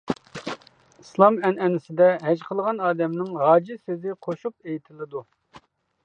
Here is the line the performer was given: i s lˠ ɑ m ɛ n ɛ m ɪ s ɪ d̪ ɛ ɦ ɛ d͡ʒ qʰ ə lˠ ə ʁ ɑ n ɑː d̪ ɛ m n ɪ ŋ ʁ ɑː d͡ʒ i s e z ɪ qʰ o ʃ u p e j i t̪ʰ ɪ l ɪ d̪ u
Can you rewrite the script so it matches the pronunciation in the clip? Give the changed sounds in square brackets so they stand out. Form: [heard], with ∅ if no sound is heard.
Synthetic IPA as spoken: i s lˠ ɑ m ɛ n ɛ [n] ɪ s ɪ d̪ ɛ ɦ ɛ d͡ʒ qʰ ə lˠ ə ʁ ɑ n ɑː d̪ ɛ m n ɪ ŋ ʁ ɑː d͡ʒ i s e z ɪ qʰ o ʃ u p e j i t̪ʰ ɪ l ɪ d̪ u

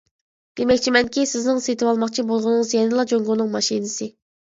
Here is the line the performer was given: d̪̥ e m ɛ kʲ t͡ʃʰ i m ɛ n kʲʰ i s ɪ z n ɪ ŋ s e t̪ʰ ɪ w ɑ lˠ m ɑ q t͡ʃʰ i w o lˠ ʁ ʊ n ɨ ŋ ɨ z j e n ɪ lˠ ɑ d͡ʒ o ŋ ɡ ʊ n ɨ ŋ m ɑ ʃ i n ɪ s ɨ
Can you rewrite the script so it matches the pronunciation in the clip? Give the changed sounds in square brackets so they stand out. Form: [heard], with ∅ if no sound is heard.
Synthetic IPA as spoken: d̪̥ e m ɛ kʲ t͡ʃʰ i m ɛ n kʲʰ i s ɪ z n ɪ ŋ s e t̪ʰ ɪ w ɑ lˠ m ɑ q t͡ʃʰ i [b] o lˠ ʁ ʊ n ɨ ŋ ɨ z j [ɛ] n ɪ lˠ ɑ d͡ʒ o ŋ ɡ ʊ n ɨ ŋ m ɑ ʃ i n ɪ s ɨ

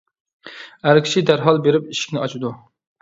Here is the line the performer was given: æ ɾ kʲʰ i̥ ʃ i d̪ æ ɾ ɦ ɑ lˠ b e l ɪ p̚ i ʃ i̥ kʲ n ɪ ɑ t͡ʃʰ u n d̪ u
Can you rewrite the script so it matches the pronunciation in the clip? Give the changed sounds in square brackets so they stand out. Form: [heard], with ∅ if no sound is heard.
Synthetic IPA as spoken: æ ɾ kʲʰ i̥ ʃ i d̪ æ ɾ ɦ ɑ lˠ b e [ɾ] ɪ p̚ i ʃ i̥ kʲ n ɪ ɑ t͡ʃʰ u [∅] d̪ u

